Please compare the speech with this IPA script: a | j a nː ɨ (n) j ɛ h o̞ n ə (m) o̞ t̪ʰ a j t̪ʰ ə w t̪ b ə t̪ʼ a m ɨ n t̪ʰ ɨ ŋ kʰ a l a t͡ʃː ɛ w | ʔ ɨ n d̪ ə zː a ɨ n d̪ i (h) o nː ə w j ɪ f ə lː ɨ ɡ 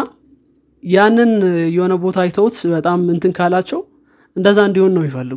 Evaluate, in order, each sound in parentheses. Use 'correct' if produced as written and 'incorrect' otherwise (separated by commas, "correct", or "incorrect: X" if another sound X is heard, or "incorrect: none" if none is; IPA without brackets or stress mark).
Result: correct, incorrect: b, correct